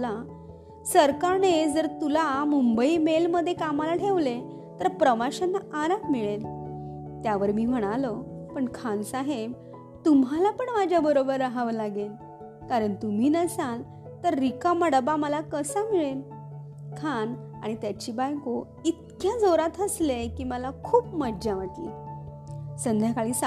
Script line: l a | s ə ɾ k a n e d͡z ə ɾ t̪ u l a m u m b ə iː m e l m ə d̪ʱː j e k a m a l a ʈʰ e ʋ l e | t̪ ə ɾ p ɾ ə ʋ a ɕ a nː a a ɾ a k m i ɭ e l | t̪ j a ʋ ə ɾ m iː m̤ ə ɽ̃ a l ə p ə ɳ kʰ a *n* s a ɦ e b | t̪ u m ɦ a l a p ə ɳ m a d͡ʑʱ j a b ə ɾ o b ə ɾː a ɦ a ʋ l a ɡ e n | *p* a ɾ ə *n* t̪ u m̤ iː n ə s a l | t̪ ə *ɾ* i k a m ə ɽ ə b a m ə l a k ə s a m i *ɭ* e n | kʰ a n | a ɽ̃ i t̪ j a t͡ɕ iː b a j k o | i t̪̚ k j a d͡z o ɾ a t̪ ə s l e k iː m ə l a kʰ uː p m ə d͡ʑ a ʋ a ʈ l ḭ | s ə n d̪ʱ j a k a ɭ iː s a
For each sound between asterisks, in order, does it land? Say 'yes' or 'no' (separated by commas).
yes, no, no, no, yes